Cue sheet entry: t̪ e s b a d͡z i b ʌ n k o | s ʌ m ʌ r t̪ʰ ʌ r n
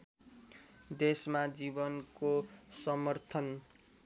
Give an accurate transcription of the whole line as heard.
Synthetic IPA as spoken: d̪ e s m a d͡z i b ʌ n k o | s ʌ m ʌ r t̪ʰ ʌ n